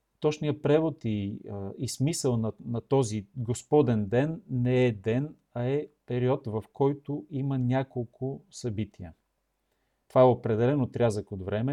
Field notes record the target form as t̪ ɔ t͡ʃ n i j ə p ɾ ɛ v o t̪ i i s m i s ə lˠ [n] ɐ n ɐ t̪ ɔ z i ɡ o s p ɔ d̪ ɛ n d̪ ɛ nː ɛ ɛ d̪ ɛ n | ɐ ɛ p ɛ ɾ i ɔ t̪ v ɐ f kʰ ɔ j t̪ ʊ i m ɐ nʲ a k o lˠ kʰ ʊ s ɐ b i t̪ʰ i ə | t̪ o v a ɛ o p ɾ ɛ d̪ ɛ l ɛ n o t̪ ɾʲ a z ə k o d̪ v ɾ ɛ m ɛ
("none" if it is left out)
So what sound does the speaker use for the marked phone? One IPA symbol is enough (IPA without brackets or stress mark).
n